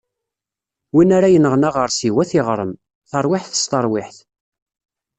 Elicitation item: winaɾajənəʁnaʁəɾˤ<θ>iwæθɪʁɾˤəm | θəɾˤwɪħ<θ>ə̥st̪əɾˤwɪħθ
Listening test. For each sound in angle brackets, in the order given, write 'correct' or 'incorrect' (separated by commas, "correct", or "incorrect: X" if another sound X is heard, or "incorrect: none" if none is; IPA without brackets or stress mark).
incorrect: s, correct